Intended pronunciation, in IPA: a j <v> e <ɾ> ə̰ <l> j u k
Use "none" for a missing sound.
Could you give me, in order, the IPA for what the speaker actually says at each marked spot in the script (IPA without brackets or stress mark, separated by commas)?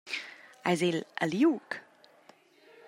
z, l, l